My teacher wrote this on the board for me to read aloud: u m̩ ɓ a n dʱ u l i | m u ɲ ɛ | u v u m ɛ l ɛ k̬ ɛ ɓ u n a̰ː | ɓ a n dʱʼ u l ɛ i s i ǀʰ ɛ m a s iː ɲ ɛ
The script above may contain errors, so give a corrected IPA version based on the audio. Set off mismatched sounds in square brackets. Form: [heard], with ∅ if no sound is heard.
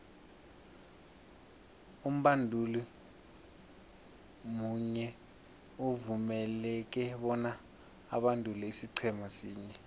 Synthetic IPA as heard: u m̩ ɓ a n dʱ u l i | m u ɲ ɛ | u v u m ɛ l ɛ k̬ ɛ ɓ [ɔ] n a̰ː | ɓ a n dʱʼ u l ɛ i s i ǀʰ ɛ m a s iː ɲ ɛ